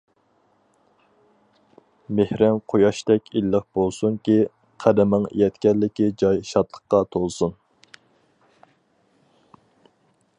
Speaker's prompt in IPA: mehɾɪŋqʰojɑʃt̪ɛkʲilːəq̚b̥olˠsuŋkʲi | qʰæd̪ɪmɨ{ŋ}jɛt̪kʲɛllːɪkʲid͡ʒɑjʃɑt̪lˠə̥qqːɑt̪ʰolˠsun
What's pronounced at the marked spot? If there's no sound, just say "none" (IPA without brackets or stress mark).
ŋ